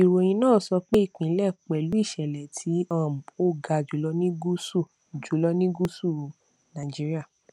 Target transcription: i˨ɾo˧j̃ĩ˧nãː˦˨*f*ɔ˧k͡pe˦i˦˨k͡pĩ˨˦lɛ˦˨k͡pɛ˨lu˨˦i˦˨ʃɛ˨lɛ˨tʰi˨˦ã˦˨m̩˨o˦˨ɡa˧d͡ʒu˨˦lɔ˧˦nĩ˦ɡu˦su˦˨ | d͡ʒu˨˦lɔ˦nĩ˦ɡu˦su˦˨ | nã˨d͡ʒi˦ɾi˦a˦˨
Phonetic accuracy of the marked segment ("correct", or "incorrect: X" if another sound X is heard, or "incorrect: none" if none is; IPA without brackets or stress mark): incorrect: s